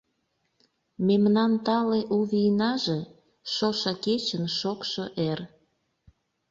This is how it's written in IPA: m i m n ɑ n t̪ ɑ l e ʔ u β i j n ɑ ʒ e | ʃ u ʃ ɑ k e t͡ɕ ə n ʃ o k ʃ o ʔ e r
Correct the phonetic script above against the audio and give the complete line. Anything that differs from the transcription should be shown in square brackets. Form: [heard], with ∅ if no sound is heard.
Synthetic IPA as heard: m [e] m n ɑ n t̪ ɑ l e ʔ u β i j n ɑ ʒ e | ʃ [o] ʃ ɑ k e t͡ɕ ə n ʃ o k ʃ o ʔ e r